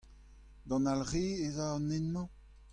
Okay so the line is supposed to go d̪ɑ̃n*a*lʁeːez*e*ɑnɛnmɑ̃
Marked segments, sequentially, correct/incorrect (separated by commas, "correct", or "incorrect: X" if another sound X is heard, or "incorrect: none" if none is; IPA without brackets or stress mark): correct, incorrect: a